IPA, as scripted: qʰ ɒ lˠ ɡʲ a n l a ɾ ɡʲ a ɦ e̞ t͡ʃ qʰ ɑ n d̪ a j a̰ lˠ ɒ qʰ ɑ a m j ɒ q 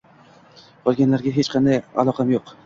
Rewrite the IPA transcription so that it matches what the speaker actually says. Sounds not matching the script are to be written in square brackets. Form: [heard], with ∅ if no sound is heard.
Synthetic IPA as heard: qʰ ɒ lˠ ɡʲ a n l a ɾ ɡʲ a ɦ e̞ t͡ʃ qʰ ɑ n d̪ a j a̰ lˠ ɒ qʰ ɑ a m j [o] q